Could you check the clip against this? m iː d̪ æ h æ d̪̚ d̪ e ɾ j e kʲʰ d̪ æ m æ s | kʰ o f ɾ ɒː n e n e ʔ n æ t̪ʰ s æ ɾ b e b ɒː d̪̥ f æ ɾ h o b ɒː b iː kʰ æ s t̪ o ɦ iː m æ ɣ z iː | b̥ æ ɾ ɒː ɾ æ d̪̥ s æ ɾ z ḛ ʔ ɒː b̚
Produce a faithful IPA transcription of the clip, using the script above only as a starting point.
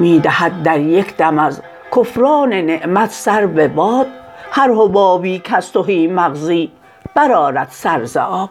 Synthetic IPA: m iː d̪ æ h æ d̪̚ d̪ æ ɾ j e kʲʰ d̪ æ m æ z | kʰ o f ɾ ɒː n e n e ʔ m æ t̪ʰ s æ ɾ b e b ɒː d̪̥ h æ ɾ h o b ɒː b iː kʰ æ s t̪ o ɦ iː m æ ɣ z iː | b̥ æ ɾ ɒː ɾ æ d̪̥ s æ ɾ z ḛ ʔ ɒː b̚